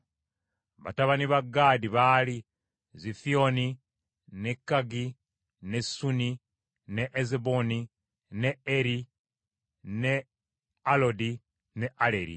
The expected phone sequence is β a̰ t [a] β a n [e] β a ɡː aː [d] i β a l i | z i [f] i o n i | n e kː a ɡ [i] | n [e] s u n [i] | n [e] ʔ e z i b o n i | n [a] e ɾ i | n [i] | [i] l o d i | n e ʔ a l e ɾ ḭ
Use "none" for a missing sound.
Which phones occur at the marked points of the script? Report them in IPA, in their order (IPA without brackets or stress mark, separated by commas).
a, i, d, f, i, e, i, e, e, e, a